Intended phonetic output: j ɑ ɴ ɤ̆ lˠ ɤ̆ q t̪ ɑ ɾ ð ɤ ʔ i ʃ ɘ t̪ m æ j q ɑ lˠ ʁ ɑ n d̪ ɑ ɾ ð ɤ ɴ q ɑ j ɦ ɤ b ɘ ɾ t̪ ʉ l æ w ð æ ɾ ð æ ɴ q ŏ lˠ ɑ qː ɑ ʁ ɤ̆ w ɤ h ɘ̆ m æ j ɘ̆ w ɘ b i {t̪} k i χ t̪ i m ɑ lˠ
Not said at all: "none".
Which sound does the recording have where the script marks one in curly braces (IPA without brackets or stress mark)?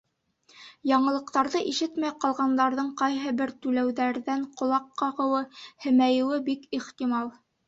none